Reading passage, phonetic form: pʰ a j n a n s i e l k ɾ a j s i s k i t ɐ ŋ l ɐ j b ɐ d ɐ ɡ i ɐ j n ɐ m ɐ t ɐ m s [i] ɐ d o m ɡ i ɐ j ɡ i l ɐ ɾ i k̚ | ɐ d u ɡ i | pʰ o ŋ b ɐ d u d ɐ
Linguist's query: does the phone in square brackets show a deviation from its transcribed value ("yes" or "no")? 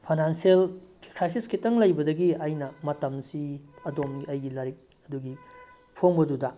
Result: no